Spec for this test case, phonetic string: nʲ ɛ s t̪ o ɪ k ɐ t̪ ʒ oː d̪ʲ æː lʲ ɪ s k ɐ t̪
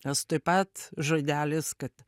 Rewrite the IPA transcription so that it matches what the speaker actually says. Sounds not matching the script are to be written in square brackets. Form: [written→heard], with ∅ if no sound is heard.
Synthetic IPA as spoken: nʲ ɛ s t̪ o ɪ [k→p] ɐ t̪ ʒ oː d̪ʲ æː lʲ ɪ s k ɐ t̪